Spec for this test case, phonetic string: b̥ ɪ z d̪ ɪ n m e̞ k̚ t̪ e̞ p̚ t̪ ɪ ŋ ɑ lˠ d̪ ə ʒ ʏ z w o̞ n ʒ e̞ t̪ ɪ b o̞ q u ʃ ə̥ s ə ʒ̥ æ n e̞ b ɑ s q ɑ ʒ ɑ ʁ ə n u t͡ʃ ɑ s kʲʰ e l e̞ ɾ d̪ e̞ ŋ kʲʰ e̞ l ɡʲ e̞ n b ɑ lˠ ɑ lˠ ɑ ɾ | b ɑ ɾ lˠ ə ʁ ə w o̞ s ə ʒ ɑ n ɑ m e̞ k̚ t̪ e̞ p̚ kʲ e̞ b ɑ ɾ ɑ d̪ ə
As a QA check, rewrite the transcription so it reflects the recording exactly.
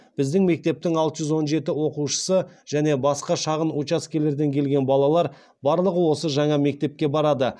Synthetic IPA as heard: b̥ ɪ z d̪ ɪ ŋ m e̞ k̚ t̪ e̞ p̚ t̪ ɪ ŋ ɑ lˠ t̪ ə ʒ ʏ z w o̞ n ʒ e̞ t̪ ɪ w o̞ q u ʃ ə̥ s ə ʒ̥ æ n e̞ b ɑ s q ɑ ʃ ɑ ʁ ə n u t͡ʃ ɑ s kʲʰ e l e̞ ɾ d̪ e̞ ŋ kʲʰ e̞ l ɡʲ e̞ n b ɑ lˠ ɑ lˠ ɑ ɾ | b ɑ ɾ lˠ ə ʁ ə w o̞ s ə ʒ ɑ ɴ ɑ m e̞ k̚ t̪ e̞ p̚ kʲ e̞ b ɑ ɾ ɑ d̪ ə